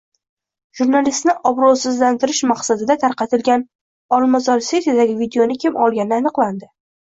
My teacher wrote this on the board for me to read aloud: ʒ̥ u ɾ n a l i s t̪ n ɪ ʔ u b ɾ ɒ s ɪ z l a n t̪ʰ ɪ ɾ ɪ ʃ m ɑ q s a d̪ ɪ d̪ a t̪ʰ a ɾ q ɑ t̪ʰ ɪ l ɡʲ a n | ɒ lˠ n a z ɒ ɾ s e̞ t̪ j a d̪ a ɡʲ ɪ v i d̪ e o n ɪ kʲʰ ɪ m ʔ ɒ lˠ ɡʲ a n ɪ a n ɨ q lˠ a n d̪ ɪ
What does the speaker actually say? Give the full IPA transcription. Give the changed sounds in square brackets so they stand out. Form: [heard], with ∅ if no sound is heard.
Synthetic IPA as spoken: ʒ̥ u ɾ n a l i s t̪ n ɪ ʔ [ɒ] b ɾ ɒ s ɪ z l a n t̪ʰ ɪ ɾ ɪ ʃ m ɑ q s a d̪ ɪ d̪ a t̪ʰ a ɾ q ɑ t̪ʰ ɪ l ɡʲ a n | ɒ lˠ [m] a z ɒ ɾ s e̞ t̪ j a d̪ a ɡʲ ɪ v i d̪ e o n ɪ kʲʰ ɪ m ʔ ɒ lˠ ɡʲ a n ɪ a n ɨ q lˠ a n d̪ ɪ